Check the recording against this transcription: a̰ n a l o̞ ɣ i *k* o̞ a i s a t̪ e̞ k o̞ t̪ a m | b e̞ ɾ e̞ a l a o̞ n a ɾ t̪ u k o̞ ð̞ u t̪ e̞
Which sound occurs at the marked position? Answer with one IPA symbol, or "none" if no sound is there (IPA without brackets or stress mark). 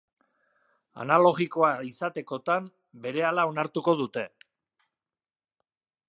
k